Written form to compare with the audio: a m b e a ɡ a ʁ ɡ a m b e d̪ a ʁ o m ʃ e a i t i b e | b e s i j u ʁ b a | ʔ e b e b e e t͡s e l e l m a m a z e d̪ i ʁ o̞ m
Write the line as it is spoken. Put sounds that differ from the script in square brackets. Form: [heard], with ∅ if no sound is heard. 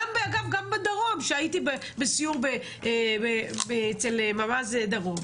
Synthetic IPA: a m b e a ɡ a [v] ɡ a m b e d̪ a ʁ o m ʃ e a i t i b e | b e s i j u ʁ b [e] | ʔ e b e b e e t͡s e l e [∅] m a m a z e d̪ [a] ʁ o̞ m